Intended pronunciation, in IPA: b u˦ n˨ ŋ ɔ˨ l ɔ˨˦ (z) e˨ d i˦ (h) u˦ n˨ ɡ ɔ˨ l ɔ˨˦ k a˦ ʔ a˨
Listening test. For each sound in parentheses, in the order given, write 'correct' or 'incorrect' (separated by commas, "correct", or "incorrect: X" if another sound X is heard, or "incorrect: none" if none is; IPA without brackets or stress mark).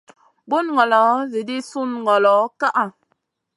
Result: correct, incorrect: s